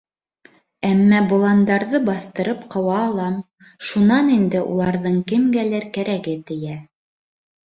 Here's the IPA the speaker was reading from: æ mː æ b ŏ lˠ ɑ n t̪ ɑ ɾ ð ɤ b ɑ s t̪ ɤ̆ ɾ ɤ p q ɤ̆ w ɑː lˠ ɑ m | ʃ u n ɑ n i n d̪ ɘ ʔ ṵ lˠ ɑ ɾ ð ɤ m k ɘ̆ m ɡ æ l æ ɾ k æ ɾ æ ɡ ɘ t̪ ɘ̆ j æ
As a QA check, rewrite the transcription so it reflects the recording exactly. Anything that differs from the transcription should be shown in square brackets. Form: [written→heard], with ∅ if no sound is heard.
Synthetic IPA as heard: æ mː æ b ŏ lˠ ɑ n [t̪→d̪] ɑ ɾ ð ɤ b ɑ [s→θ] t̪ ɤ̆ ɾ ɤ p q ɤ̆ w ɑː lˠ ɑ m | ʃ u n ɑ n i n d̪ ɘ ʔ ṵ lˠ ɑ ɾ ð ɤ [m→ɴ] k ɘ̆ m ɡ æ l æ ɾ k æ ɾ æ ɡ ɘ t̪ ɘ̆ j æ

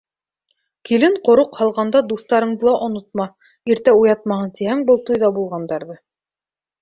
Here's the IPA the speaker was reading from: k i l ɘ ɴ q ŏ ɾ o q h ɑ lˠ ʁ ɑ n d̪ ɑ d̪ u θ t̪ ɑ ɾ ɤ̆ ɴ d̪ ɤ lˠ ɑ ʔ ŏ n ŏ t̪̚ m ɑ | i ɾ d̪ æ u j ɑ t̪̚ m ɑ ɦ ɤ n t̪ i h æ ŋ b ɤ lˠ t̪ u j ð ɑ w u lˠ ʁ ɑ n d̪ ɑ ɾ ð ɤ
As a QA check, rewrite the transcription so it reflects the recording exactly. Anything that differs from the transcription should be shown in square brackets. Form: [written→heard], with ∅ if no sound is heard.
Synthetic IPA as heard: k i l ɘ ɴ q ŏ ɾ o q h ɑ lˠ ʁ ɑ n d̪ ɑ d̪ u θ t̪ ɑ ɾ ɤ̆ ɴ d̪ ɤ lˠ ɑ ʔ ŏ n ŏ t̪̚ m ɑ | i ɾ [d̪→t̪] æ u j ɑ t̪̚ m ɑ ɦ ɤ n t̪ i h æ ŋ b ɤ lˠ t̪ u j ð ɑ [w→b] u lˠ ʁ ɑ n d̪ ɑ ɾ ð ɤ

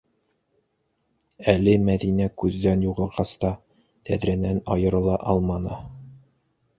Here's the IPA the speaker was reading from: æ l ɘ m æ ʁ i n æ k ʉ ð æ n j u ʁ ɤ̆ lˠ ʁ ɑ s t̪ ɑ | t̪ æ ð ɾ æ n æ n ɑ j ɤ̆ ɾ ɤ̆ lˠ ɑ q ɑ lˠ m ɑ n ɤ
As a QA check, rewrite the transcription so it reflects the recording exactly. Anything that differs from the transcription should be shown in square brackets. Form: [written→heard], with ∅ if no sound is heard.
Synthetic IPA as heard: æ l ɘ m æ [ʁ→ð] i n æ k ʉ [ð→ðː] æ n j u ʁ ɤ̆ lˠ ʁ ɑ s t̪ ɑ | t̪ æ ð ɾ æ n æ n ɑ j ɤ̆ ɾ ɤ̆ lˠ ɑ [q→ʔ] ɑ lˠ m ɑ n ɤ

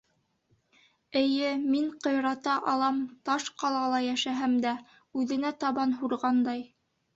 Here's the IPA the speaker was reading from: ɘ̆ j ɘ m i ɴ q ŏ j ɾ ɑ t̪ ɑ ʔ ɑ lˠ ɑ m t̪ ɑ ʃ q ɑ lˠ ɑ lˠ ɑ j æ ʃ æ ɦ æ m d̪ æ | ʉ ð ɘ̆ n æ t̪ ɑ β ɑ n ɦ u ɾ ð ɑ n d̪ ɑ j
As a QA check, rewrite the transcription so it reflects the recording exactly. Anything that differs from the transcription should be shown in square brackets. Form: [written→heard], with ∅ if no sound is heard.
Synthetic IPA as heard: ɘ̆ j ɘ m i ɴ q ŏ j ɾ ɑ t̪ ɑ ʔ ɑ lˠ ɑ m t̪ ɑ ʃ q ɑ lˠ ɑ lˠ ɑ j æ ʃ æ ɦ æ m d̪ æ | ʉ ð ɘ̆ n æ t̪ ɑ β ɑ n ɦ u ɾ [ð→ʁ] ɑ n d̪ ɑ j

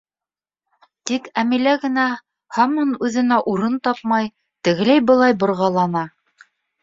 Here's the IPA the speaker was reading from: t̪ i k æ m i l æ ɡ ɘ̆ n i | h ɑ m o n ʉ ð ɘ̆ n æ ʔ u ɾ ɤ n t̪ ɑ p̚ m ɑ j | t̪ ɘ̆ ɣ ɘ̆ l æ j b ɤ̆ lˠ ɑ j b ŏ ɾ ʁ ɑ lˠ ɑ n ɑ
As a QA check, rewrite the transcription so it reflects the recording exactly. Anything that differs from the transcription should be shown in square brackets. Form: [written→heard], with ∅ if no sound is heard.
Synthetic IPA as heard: t̪ i k æ m i l æ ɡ ɘ̆ n [i→æ] | h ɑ m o n ʉ ð ɘ̆ n æ ʔ u ɾ ɤ n t̪ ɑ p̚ m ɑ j | t̪ ɘ̆ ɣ ɘ̆ l æ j b ɤ̆ lˠ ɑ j b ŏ ɾ ʁ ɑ lˠ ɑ n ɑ

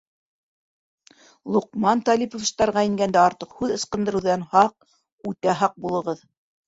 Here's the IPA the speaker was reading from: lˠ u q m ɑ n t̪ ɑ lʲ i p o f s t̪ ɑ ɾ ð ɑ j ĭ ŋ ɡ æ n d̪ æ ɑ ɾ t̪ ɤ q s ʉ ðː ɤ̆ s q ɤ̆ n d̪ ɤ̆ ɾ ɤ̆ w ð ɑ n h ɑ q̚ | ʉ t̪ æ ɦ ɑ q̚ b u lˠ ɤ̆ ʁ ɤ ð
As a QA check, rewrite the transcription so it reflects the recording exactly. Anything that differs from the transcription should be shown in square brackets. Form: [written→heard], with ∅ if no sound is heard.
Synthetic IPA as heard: lˠ u q m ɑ n t̪ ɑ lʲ i p o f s t̪ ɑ ɾ [ð→ʁ] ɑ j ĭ ŋ ɡ æ n d̪ æ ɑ ɾ t̪ ɤ q [s→h] ʉ [ðː→ð] ɤ̆ s q ɤ̆ n d̪ ɤ̆ ɾ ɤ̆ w ð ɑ n h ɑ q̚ | ʉ t̪ æ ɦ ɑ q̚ b u lˠ ɤ̆ ʁ ɤ ð

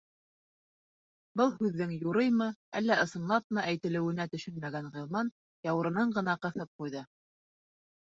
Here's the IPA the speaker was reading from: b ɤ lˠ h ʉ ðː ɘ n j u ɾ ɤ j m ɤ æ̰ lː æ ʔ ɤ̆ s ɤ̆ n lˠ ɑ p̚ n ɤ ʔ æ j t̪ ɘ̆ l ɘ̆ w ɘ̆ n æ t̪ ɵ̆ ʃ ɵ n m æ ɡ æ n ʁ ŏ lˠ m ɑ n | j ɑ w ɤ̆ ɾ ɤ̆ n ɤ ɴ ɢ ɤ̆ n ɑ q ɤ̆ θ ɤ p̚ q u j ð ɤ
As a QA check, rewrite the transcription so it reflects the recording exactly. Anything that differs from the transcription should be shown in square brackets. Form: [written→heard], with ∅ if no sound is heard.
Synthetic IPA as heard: b ɤ lˠ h ʉ ðː ɘ [n→ŋ] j u ɾ ɤ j m ɤ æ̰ lː æ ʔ ɤ̆ s ɤ̆ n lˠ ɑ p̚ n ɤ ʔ æ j t̪ ɘ̆ l ɘ̆ w ɘ̆ n æ t̪ ɵ̆ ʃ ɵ n m æ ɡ æ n ʁ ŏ lˠ m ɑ n | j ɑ w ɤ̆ ɾ ɤ̆ n ɤ ɴ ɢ ɤ̆ n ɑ q ɤ̆ θ ɤ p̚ q u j ð ɤ

